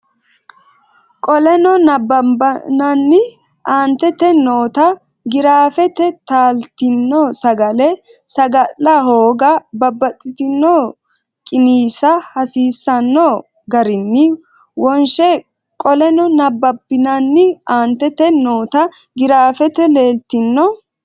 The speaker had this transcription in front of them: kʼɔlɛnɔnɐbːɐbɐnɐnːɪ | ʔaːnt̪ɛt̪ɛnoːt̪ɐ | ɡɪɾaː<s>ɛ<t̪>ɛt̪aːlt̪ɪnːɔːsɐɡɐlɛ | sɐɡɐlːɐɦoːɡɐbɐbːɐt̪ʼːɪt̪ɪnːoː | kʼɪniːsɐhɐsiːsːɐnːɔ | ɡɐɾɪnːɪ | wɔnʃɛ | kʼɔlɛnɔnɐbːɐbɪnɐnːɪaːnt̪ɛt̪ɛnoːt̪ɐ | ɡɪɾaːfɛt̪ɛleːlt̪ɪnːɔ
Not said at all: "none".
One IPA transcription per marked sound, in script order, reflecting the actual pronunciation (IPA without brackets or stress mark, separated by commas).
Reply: f, t̪